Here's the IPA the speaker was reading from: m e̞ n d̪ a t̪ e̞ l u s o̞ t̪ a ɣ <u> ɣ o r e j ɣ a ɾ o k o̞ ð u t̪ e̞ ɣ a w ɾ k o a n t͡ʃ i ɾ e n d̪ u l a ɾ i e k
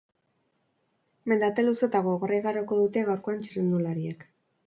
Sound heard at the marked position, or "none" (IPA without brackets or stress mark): o